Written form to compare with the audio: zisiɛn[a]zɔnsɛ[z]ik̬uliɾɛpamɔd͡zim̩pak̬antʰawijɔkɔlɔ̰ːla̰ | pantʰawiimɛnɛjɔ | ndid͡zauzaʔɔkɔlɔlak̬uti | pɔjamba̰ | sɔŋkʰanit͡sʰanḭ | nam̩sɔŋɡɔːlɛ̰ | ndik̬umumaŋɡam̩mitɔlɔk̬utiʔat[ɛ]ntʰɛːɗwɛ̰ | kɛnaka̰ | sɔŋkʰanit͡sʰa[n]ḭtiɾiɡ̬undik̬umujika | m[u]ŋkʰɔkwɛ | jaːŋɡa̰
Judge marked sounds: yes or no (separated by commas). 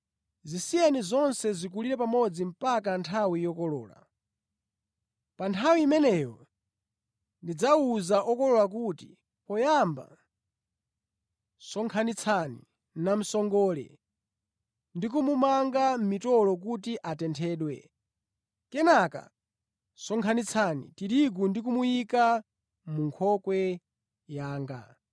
no, yes, yes, yes, yes